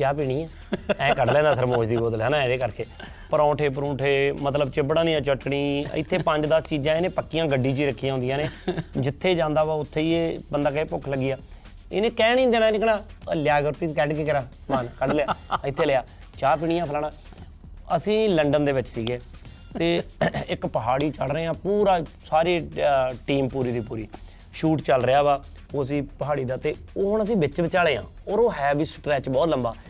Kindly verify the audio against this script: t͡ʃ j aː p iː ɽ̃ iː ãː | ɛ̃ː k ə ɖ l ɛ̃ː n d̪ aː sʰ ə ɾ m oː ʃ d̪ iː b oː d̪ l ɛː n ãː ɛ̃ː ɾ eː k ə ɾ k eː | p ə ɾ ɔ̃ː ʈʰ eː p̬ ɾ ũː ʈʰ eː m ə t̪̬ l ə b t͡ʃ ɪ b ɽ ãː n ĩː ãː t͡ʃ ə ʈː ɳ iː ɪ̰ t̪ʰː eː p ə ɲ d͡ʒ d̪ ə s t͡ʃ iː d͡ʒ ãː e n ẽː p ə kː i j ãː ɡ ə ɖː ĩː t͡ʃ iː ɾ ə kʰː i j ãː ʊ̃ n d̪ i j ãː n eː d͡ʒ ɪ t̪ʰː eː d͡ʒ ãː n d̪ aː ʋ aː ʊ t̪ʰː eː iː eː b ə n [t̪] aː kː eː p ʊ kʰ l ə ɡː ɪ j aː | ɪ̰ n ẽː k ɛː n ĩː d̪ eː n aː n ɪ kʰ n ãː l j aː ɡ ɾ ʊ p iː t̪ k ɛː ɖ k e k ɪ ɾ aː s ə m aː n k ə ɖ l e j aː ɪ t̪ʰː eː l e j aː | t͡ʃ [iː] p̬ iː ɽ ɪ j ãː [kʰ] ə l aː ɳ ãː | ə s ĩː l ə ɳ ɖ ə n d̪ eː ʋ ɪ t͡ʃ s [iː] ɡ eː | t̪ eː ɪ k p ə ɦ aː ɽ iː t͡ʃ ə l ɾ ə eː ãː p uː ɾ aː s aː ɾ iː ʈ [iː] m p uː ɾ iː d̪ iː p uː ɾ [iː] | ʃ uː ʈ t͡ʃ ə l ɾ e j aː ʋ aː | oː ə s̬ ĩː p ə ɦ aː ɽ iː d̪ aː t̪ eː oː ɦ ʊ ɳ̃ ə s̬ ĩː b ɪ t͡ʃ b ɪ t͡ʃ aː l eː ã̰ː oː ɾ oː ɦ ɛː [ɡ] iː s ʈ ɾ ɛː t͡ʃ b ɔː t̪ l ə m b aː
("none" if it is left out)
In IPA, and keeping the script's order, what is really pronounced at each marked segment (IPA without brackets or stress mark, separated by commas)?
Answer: d̪, aː, pʰ, iː, iː, iː, b